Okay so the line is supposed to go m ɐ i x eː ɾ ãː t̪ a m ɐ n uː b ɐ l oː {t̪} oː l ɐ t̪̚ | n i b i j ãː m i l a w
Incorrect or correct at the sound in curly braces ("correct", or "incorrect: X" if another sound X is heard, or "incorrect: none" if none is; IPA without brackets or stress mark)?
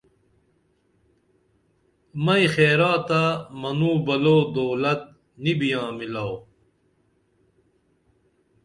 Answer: incorrect: d̪